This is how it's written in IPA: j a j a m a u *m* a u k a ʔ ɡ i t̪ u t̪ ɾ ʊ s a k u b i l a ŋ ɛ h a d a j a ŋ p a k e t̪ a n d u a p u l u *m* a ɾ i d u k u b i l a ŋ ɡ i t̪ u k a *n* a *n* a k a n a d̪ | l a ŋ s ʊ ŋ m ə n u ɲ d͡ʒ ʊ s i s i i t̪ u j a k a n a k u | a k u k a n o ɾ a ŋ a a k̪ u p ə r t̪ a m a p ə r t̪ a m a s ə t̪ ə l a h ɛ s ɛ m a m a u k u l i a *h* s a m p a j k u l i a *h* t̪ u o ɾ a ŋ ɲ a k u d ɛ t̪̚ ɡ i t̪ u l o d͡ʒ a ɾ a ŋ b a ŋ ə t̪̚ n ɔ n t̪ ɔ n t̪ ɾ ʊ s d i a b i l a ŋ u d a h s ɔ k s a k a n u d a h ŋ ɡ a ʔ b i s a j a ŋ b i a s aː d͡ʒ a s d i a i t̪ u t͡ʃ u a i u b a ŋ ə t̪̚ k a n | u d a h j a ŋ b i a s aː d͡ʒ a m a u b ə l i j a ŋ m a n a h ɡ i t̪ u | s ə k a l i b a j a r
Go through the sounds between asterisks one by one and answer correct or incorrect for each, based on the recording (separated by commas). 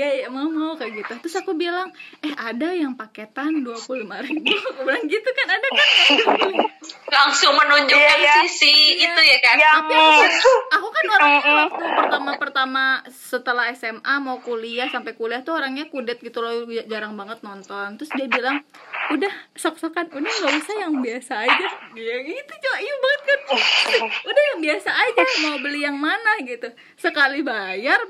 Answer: correct, correct, correct, incorrect, correct, correct